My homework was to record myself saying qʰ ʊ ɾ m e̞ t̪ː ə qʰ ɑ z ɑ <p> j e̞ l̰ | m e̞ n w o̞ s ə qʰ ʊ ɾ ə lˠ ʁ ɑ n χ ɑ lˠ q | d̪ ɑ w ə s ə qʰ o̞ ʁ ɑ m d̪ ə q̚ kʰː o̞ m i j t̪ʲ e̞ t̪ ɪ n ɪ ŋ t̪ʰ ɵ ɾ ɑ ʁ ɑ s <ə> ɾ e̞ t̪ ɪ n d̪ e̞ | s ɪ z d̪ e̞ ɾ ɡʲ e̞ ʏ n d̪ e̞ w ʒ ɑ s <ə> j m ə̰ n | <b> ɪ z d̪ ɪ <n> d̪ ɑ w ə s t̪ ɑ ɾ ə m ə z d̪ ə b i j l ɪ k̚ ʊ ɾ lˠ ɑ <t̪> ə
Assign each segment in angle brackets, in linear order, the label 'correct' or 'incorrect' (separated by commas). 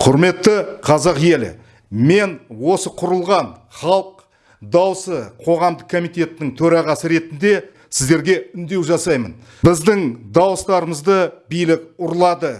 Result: incorrect, correct, incorrect, correct, incorrect, incorrect